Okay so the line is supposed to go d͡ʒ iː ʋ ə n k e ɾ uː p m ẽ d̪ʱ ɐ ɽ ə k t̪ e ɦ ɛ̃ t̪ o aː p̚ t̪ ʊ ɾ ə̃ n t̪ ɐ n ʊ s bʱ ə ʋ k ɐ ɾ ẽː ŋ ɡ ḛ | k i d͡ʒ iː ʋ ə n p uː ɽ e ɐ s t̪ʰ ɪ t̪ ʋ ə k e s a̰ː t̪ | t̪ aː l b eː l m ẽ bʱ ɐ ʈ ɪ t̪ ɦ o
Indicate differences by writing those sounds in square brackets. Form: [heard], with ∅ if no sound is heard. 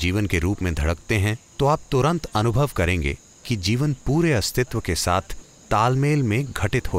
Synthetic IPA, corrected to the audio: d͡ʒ iː ʋ ə n k e ɾ uː p m ẽ d̪ʱ ɐ ɽ ə k t̪ e ɦ ɛ̃ t̪ o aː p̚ t̪ ʊ ɾ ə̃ n t̪ ɐ n ʊ [∅] bʱ ə ʋ k ɐ ɾ ẽː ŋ ɡ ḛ | k i d͡ʒ iː ʋ ə n p uː [ɾ] e ɐ s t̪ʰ ɪ t̪ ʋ ə k e s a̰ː [t̪ʰ] | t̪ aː l [m] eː l m ẽ [ɡʱ] ɐ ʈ ɪ t̪ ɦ o